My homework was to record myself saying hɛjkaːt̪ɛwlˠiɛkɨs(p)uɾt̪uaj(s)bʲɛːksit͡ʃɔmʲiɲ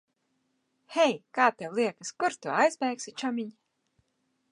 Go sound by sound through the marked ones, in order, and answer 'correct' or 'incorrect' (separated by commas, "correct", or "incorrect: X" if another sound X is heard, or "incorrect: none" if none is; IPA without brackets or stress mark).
incorrect: k, incorrect: z